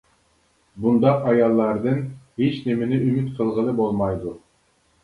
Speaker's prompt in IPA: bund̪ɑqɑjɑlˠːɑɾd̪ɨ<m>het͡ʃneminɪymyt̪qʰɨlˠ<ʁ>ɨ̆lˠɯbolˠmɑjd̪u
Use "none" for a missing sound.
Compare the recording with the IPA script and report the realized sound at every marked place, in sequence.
n, ʁ

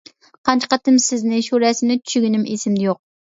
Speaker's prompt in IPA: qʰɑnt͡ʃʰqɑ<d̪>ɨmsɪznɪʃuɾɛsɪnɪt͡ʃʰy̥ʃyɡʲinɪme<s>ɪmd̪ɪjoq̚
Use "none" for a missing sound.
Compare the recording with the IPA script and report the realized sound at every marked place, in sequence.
t̪, s

